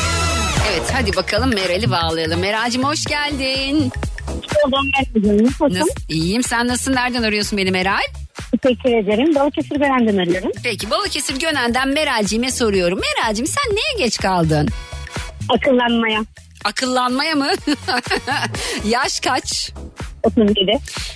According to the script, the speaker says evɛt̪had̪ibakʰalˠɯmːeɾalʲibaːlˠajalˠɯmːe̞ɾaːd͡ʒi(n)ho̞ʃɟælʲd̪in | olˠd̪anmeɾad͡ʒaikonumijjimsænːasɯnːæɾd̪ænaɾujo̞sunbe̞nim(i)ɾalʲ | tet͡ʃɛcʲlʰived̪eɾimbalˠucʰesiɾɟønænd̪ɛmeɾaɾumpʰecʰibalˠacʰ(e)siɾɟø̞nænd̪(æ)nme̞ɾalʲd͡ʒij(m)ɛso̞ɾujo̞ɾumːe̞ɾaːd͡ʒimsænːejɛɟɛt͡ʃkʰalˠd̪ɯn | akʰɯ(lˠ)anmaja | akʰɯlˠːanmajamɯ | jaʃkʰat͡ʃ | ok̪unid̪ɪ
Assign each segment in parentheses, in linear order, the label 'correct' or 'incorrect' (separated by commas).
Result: incorrect, incorrect, correct, correct, correct, incorrect